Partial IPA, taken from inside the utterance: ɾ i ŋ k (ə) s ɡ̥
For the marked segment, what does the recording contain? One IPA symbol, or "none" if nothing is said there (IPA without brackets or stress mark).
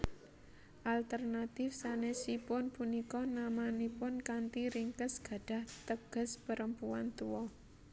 ə